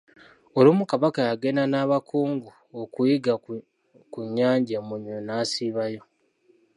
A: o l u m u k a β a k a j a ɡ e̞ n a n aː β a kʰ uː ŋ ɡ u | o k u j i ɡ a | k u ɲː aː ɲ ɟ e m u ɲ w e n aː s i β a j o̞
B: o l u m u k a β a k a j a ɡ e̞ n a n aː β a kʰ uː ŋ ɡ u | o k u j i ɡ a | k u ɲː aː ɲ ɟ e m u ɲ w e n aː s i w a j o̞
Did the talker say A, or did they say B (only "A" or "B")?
A